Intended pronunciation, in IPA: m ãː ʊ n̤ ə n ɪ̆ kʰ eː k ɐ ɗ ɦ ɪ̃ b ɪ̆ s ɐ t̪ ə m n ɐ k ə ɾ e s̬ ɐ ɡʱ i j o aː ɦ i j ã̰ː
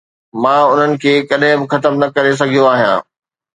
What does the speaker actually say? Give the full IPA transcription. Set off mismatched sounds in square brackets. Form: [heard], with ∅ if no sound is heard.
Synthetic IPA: m ãː ʊ n̤ ə n ɪ̆ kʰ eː k ɐ ɗ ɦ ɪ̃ b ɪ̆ [x] ɐ t̪ ə m n ɐ k [ɐ] ɾ e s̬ ɐ ɡʱ i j o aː ɦ i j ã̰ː